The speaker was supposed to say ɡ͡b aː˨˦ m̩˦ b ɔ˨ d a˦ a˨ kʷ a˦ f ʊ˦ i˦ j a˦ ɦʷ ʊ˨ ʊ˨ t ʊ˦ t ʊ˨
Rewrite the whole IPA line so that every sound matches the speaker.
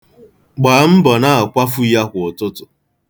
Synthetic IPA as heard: ɡ͡b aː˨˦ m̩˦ b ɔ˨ n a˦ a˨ kʷ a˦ f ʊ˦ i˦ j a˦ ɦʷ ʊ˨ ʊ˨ t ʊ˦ t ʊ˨